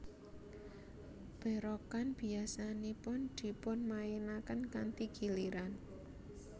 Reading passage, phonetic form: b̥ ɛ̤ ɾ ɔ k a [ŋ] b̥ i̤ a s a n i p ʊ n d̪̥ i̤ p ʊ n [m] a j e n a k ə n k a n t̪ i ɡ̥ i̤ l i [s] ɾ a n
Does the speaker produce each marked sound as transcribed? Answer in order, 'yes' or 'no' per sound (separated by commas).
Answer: no, yes, no